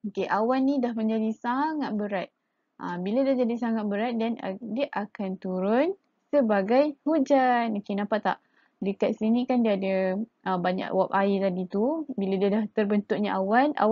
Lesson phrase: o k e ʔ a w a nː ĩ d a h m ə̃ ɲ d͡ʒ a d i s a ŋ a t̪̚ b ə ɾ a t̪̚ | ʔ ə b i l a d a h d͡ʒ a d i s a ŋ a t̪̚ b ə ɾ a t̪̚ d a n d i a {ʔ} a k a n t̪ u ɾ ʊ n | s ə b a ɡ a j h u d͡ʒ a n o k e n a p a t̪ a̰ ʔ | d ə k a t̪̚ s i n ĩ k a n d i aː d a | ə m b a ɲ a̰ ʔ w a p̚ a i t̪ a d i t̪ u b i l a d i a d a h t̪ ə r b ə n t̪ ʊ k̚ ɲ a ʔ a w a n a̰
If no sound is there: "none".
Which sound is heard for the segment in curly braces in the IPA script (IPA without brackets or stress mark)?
ʔ